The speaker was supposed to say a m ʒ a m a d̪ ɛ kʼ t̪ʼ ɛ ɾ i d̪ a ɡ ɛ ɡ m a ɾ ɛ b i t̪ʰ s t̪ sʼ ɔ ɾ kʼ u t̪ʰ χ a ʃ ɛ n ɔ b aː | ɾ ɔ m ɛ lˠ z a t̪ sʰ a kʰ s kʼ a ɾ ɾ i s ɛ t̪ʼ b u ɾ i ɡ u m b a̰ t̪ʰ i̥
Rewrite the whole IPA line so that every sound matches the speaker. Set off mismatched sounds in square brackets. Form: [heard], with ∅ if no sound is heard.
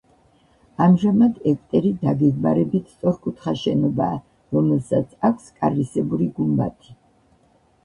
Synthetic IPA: a m ʒ a m a d̪ ɛ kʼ t̪ʼ ɛ ɾ i d̪ a ɡ ɛ ɡ m a ɾ ɛ b i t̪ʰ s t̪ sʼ ɔ ɾ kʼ u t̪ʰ χ a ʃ ɛ n ɔ b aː | ɾ ɔ m ɛ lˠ [s] a t̪ sʰ a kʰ s kʼ a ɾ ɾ i s ɛ [∅] b u ɾ i ɡ u m b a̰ t̪ʰ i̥